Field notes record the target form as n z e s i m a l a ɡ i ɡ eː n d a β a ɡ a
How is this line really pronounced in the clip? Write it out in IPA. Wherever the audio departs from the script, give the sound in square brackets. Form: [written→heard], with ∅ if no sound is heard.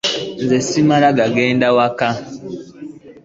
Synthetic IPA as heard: n z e s i m a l a ɡ [i→a] ɡ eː n d a [β→w] a [ɡ→k] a